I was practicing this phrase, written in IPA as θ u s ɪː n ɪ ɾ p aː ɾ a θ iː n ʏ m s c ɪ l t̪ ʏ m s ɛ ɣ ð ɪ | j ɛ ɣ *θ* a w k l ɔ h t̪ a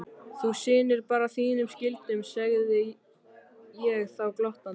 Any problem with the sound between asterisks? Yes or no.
no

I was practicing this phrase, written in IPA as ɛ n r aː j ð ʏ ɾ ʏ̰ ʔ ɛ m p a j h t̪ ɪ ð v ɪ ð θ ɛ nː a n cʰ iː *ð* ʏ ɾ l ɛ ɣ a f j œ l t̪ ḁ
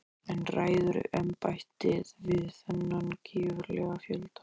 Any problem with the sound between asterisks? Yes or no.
yes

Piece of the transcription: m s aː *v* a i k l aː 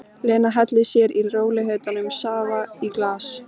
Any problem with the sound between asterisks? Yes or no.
no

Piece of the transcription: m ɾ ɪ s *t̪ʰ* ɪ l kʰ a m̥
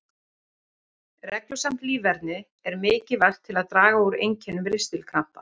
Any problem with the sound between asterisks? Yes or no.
yes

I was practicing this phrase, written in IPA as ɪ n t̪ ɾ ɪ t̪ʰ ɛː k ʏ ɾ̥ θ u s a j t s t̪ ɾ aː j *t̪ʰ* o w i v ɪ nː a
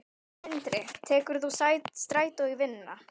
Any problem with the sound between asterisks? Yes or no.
yes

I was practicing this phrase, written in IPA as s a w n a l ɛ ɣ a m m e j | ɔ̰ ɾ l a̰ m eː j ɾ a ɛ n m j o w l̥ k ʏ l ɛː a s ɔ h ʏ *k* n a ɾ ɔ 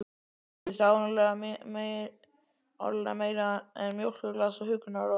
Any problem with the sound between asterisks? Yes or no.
no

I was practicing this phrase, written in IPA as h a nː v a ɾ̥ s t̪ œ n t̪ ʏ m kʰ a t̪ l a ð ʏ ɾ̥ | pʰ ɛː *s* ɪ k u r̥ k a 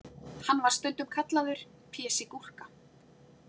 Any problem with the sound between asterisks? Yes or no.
no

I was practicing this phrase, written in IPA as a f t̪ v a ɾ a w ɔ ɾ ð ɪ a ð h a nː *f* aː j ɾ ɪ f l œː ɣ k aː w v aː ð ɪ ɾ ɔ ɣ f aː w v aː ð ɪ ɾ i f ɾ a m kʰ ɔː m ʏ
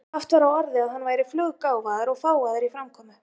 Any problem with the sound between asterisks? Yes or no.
yes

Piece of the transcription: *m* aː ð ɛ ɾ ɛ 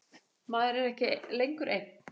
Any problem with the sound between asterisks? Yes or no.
no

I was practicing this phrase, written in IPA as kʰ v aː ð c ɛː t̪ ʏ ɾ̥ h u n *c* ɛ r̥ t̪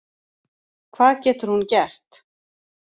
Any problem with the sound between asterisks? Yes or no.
no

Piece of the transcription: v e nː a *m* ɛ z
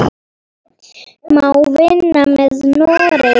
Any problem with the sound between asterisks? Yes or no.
no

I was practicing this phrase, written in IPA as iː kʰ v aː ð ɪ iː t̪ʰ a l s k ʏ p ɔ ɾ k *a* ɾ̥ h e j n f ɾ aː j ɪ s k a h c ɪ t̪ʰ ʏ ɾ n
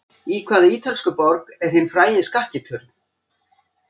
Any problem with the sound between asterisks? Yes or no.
yes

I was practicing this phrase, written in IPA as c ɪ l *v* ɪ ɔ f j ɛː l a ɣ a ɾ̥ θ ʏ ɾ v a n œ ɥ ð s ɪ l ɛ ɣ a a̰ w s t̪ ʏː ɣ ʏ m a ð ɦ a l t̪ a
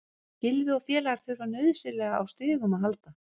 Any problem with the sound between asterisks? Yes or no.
no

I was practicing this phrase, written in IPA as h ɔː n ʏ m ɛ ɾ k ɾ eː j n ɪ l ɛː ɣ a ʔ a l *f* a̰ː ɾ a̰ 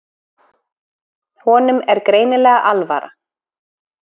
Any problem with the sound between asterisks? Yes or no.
yes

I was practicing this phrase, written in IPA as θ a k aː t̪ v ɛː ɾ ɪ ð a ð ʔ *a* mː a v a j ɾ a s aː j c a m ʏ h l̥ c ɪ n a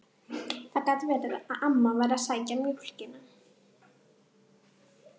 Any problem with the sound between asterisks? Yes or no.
no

